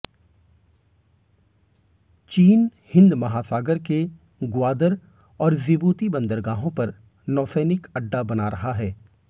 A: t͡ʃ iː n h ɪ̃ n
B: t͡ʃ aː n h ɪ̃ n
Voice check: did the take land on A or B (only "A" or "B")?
A